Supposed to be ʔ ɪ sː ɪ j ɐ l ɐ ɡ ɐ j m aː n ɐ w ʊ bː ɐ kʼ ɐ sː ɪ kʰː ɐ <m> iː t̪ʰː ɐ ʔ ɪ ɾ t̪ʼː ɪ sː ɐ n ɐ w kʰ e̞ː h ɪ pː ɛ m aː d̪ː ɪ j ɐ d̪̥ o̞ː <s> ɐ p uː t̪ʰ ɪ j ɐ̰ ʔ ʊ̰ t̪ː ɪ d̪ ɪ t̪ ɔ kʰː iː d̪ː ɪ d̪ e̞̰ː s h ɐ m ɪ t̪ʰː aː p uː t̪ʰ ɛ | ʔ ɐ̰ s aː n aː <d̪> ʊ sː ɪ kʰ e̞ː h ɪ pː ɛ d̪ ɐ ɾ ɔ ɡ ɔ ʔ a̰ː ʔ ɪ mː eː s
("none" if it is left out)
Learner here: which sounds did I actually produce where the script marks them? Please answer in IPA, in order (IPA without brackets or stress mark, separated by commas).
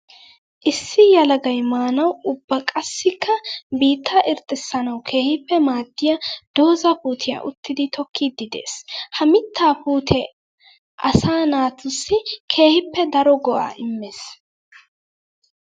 b, z, t̪